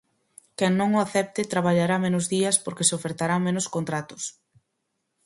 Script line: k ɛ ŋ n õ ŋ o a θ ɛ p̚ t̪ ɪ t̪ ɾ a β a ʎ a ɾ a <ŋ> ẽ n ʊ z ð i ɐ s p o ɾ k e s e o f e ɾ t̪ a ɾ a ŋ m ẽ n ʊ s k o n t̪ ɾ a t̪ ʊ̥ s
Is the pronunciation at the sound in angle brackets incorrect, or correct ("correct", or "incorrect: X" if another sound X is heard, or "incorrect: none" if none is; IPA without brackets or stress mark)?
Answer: incorrect: m